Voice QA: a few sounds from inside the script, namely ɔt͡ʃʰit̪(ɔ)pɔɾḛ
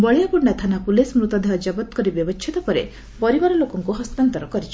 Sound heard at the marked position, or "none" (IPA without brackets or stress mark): ɔ